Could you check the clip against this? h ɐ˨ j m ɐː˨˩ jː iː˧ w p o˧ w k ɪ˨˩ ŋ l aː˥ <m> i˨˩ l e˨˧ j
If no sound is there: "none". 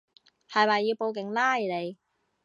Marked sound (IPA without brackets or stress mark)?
none